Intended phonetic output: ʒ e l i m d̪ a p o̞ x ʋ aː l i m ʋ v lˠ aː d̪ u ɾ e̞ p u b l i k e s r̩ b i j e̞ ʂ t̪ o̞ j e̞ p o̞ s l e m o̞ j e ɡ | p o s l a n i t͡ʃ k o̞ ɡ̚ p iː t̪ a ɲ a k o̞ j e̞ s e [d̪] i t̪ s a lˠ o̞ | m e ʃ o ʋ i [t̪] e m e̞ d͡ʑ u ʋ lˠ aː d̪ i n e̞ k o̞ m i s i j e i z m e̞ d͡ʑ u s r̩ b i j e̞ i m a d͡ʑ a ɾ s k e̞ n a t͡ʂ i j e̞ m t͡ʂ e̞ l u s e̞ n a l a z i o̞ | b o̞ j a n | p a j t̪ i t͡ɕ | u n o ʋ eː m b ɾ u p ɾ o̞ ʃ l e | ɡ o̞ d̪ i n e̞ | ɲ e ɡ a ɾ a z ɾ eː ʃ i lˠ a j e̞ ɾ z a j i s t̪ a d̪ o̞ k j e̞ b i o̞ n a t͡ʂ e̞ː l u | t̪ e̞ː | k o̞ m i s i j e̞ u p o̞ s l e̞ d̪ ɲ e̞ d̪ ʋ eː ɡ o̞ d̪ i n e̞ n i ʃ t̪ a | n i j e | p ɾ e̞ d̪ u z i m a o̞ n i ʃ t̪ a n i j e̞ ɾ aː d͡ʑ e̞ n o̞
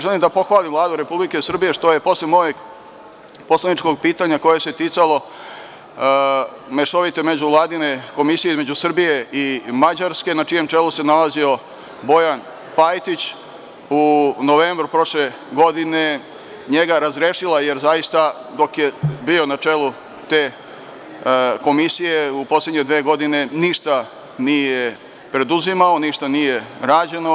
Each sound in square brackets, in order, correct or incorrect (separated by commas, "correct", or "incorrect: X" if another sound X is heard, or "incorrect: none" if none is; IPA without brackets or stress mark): incorrect: t̪, correct